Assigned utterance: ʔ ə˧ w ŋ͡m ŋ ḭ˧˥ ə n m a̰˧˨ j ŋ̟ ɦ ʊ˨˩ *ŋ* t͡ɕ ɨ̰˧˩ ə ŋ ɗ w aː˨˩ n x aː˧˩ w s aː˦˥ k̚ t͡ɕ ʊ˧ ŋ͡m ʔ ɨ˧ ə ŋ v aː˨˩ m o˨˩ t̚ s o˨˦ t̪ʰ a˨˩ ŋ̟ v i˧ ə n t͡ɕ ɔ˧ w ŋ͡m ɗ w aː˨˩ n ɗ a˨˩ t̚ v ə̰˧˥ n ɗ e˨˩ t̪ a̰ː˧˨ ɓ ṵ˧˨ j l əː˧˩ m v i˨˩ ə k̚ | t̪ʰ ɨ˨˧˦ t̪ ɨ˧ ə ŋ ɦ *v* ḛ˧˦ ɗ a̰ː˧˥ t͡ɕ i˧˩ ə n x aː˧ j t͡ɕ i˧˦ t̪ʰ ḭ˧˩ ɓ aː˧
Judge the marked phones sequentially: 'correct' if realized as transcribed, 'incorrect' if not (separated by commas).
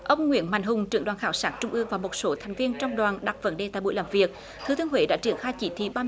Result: incorrect, incorrect